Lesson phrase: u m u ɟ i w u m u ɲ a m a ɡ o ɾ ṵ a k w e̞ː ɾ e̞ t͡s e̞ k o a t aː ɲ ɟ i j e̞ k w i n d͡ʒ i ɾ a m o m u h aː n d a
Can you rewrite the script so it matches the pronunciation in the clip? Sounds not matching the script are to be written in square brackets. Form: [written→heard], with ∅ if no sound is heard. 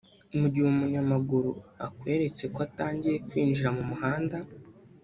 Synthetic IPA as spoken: u m u ɟ i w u m u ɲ a m a ɡ [o→u] ɾ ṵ a k w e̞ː ɾ e̞ t͡s e̞ k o a t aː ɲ ɟ i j e̞ k w [i→iː] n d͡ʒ i ɾ a m [o→u] m u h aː n d a